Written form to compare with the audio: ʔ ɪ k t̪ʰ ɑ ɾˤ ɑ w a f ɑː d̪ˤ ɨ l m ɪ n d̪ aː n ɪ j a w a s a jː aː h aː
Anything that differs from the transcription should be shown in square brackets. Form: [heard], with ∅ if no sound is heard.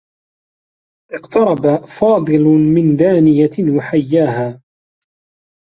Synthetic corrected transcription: ʔ ɪ [q] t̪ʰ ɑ ɾˤ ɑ [b] a f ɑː d̪ˤ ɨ l m ɪ n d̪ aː n ɪ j a w a [ħ] a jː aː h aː